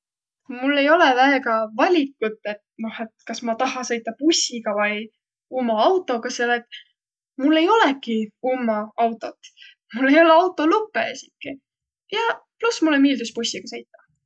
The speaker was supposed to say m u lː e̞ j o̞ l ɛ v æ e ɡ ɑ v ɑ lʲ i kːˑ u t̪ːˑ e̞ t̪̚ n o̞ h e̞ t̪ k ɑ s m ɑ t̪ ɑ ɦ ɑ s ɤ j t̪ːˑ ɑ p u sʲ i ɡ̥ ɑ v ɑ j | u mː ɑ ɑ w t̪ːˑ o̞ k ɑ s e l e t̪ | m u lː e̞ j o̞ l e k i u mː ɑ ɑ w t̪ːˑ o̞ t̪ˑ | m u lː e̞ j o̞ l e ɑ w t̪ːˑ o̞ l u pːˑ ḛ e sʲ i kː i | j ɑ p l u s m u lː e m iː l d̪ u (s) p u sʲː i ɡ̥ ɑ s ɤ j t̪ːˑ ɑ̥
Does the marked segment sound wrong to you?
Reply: no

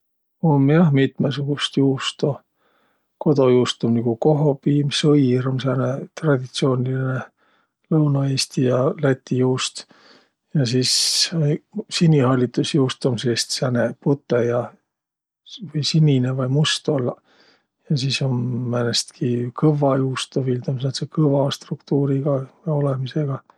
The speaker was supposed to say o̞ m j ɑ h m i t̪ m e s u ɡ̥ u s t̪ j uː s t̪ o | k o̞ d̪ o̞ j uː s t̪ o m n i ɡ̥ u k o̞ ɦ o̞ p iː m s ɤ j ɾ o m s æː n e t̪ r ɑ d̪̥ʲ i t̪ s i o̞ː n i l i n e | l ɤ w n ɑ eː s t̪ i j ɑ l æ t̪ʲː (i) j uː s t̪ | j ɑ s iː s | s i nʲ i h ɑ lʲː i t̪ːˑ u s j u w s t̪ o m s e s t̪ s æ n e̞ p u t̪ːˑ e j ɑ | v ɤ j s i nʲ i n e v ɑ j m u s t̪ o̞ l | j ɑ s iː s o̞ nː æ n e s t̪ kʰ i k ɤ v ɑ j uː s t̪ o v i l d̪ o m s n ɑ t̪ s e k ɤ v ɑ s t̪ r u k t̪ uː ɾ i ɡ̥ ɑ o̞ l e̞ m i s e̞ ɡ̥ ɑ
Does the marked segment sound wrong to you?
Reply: no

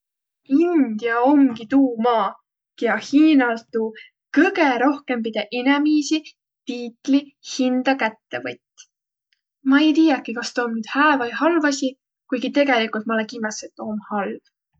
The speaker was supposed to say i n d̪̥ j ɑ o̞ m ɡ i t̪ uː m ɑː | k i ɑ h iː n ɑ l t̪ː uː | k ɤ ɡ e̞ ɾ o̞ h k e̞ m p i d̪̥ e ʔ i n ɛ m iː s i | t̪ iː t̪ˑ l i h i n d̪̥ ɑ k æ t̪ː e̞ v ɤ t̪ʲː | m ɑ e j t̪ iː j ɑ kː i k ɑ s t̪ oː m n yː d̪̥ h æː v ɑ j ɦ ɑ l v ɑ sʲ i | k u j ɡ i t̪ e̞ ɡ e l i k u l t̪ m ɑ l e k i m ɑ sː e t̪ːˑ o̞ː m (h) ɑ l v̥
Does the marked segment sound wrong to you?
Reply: no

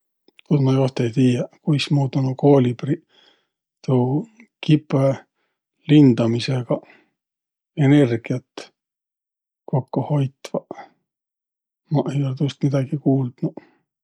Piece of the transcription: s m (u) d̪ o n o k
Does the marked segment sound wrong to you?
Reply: yes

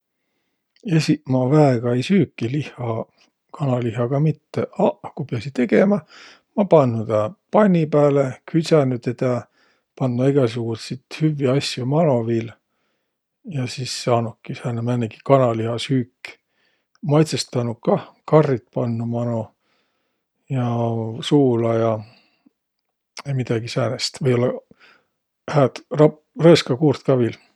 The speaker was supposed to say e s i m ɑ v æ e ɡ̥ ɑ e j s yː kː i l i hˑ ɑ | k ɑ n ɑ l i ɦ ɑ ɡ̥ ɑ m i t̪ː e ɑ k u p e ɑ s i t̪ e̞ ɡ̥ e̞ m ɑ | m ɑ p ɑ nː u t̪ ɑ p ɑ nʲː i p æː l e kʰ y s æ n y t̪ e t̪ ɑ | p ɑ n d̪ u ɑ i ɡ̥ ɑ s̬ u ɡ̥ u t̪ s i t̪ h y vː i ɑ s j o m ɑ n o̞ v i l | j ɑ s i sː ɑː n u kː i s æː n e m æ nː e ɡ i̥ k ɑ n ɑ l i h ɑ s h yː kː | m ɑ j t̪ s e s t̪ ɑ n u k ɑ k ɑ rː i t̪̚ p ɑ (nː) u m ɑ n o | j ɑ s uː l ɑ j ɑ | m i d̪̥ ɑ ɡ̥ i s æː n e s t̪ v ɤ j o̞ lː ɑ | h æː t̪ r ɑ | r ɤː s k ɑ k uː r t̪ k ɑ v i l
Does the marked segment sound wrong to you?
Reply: no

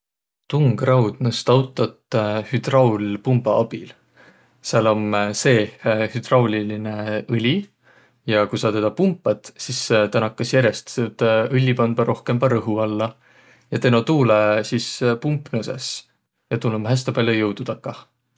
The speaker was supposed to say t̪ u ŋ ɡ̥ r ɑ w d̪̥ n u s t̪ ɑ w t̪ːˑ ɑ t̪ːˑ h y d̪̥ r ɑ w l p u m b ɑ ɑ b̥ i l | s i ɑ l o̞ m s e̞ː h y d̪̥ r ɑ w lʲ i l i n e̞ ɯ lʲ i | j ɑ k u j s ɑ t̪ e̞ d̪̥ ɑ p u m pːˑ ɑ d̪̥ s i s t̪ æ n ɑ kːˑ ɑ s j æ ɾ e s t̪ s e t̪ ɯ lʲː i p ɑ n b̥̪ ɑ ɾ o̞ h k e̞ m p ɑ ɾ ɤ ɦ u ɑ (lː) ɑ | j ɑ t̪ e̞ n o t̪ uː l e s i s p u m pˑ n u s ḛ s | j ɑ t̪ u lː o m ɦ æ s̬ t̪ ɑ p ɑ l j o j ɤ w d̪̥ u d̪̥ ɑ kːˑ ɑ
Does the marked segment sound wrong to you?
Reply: no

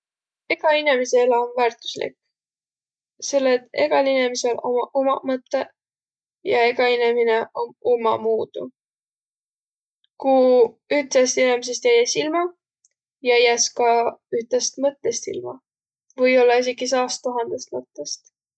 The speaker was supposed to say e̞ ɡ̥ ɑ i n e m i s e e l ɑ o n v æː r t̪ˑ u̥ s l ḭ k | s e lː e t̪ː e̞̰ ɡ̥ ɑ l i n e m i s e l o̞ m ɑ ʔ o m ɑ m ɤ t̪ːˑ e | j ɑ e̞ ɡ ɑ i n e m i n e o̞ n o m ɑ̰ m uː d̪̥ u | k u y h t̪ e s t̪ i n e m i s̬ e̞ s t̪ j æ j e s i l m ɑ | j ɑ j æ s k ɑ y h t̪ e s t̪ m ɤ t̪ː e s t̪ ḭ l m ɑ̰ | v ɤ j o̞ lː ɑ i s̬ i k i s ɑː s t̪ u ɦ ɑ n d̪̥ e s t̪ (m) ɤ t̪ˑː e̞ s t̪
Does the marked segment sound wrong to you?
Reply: no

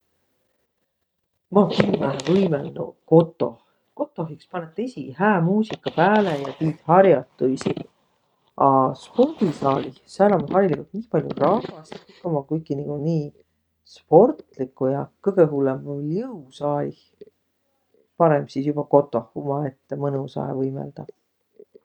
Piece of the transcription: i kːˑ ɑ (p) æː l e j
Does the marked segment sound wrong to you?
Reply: no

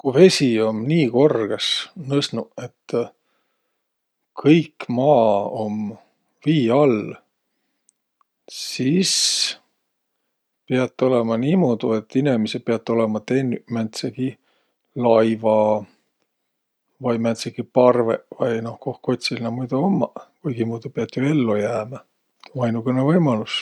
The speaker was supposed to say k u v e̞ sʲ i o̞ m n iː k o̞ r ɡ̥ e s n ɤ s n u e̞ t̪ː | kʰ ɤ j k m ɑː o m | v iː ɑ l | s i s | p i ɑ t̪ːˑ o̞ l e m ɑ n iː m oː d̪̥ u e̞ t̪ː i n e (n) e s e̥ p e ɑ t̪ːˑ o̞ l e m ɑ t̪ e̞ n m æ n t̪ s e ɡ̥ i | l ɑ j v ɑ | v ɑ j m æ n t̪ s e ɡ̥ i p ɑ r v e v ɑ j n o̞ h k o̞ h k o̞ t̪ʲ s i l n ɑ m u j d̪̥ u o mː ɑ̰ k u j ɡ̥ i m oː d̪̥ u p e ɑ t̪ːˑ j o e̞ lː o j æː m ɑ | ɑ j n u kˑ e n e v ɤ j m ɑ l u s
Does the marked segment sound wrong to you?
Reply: yes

